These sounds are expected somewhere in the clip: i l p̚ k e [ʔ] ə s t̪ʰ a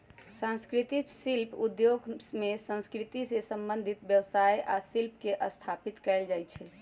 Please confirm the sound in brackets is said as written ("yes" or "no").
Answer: yes